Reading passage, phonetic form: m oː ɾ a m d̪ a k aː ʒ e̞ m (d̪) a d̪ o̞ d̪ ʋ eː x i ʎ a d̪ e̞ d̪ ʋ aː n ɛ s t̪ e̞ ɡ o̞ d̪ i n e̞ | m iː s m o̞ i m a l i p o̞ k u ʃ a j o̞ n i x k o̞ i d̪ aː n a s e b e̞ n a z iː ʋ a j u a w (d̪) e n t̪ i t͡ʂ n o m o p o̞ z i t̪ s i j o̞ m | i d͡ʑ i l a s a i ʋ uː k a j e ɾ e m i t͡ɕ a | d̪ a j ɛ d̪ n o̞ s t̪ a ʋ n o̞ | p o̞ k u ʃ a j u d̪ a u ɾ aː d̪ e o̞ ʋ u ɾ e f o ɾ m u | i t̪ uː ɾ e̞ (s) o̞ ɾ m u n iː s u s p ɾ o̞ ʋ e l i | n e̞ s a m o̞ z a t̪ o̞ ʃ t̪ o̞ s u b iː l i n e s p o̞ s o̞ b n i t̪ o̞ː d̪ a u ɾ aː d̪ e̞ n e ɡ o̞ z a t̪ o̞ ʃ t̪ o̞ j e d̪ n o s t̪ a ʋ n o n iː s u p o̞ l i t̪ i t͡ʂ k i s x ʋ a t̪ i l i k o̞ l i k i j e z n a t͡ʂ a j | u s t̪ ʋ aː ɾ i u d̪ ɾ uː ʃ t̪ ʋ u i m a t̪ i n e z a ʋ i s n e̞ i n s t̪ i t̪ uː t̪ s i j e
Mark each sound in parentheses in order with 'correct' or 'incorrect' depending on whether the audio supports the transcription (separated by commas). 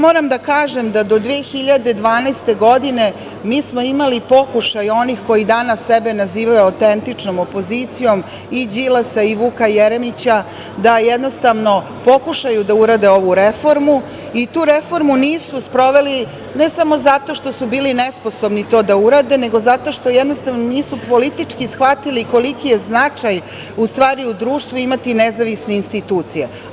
correct, incorrect, incorrect